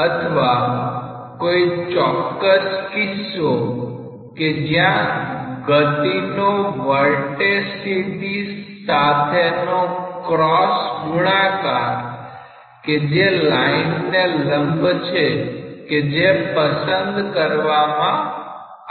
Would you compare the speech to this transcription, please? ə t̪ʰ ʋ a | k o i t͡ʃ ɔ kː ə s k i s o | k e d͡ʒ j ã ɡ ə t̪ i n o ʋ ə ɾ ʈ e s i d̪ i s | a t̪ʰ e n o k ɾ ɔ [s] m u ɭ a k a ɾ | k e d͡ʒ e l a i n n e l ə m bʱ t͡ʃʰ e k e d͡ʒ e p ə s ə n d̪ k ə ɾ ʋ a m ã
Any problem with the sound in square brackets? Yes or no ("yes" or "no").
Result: no